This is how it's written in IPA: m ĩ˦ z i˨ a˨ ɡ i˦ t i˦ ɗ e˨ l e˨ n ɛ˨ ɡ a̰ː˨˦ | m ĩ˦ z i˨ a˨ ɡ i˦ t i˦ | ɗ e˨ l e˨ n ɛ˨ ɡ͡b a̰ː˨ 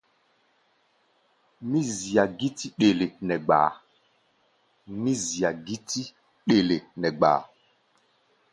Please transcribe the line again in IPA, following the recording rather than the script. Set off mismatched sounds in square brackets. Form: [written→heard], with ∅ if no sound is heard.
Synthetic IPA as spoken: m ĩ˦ z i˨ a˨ ɡ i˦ t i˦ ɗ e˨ l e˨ n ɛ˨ [ɡ→ɡ͡b] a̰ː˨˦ | m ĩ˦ z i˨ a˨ ɡ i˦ t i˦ | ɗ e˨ l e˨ n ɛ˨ ɡ͡b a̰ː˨